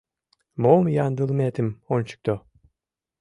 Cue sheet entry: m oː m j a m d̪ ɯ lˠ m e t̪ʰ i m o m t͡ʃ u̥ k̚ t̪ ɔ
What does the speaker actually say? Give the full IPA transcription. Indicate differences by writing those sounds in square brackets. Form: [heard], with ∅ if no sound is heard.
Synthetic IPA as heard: m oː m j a [n] d̪ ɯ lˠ m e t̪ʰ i m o [n] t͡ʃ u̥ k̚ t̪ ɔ